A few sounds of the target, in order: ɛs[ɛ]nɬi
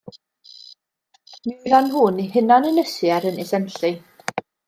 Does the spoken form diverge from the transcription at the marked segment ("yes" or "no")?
no